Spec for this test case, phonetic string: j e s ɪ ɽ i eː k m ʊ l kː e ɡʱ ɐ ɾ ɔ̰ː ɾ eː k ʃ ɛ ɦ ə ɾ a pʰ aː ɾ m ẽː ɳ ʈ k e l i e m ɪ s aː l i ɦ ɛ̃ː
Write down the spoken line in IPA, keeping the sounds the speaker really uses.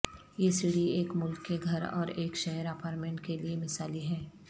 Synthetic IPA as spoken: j e s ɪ ɽ i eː k m ʊ l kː e ɡʱ ɐ ɾ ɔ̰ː ɾ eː k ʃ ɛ ɦ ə ɾ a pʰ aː ɾ m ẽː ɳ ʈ k e l i e m ɪ s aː l i ɦ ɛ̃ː